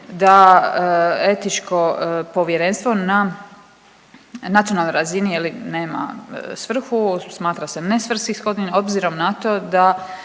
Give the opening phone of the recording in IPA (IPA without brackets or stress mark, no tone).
d̪